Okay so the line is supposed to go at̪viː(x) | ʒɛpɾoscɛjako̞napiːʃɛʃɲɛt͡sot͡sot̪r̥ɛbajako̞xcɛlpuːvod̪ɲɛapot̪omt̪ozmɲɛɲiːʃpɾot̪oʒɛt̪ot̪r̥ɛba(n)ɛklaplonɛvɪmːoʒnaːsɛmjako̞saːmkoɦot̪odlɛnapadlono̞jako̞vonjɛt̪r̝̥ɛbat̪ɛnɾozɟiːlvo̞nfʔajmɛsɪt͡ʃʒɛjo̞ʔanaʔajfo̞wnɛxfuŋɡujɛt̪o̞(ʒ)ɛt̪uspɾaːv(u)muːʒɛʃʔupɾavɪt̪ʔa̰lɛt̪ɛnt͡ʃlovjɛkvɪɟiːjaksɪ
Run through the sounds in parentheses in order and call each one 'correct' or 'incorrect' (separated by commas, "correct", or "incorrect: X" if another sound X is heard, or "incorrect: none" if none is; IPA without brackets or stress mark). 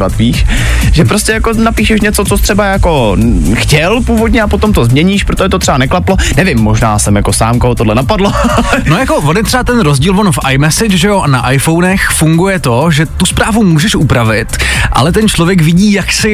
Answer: incorrect: ʃ, correct, correct, correct